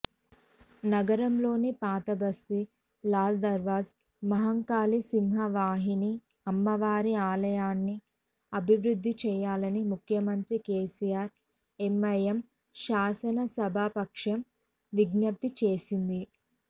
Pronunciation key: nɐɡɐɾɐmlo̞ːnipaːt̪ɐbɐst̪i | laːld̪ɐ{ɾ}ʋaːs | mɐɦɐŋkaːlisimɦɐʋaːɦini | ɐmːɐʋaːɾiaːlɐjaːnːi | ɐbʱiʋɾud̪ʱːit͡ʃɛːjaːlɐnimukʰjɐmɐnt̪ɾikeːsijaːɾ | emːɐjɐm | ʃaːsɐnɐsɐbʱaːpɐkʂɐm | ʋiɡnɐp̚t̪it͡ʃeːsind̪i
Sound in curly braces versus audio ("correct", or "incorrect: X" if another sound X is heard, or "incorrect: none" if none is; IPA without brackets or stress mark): correct